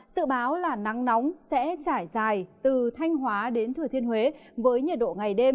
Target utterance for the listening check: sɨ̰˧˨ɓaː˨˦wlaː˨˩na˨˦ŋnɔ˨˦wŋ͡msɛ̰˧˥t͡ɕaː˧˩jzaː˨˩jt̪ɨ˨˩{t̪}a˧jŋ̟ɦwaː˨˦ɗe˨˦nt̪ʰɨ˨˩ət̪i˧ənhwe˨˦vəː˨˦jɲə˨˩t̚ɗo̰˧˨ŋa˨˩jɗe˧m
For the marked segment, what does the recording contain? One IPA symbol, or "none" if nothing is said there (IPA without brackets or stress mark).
t̪ʰ